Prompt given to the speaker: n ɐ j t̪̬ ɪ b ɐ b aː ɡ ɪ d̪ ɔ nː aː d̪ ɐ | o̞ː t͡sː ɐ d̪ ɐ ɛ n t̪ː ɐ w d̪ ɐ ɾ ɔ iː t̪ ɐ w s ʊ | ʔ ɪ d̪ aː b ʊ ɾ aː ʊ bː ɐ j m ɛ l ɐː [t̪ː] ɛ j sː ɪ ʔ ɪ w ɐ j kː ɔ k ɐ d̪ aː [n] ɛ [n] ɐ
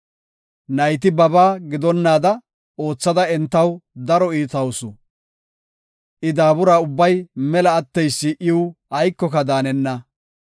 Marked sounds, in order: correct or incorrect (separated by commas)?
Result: correct, correct, incorrect